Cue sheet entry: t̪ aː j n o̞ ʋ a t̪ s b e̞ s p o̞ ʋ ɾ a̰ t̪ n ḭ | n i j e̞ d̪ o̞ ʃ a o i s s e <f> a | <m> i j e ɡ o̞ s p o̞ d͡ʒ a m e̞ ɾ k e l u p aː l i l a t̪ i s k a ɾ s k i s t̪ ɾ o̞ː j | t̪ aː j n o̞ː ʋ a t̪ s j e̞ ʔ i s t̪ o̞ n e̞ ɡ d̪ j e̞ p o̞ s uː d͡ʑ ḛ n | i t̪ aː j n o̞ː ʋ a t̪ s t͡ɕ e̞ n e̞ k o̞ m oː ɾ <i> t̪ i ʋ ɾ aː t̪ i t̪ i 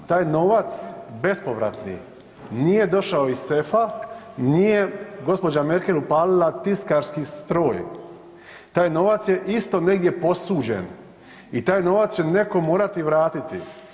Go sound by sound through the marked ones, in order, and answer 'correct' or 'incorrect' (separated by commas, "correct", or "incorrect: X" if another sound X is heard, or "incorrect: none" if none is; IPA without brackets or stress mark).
correct, incorrect: n, incorrect: a